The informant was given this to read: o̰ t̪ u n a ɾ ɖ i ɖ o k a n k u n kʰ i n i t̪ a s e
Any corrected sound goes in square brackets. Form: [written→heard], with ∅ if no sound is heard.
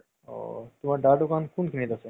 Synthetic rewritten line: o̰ t̪ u [n→m] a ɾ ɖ [i→a] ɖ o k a n k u n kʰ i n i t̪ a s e